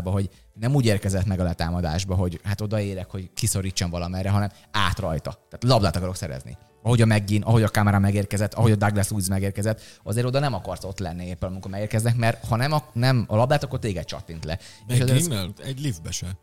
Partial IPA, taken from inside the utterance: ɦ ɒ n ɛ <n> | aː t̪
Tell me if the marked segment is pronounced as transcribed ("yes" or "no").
no